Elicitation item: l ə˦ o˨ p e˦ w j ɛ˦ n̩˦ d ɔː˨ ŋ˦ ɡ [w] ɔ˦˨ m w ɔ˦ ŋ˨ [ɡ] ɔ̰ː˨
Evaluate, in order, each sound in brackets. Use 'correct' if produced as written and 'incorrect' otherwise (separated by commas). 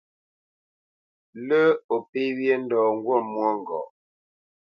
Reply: correct, correct